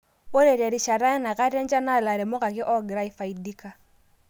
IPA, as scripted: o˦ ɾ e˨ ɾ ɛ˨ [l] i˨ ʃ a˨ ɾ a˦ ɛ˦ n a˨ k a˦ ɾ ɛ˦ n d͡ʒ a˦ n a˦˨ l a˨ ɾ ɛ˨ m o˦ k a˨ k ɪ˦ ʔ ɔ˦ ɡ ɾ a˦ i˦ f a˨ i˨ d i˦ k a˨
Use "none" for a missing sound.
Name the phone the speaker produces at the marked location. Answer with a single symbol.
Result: ɾ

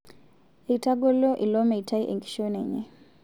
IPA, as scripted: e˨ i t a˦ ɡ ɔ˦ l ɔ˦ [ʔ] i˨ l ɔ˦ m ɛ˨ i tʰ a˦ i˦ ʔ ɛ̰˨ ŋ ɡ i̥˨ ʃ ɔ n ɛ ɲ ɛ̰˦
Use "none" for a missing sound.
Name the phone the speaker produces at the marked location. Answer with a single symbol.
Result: ʔ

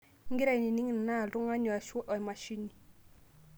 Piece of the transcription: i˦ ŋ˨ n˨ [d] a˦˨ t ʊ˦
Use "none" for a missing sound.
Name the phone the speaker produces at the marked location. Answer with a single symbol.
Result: n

